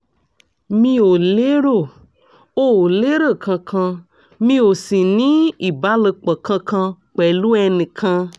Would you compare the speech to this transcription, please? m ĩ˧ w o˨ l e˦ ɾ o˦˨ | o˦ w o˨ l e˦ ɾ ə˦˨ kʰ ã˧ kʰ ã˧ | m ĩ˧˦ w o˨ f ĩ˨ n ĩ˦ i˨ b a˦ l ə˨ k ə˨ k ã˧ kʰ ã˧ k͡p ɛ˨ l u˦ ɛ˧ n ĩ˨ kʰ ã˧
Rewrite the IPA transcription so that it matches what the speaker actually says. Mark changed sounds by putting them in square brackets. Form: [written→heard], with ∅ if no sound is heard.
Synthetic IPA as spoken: m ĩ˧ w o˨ l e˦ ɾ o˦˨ | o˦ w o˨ l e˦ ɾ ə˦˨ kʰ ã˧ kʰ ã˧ | m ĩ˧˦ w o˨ [f→s] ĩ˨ n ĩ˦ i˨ b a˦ l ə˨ [k→k͡p] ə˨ k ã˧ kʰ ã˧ k͡p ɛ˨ l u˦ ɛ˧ n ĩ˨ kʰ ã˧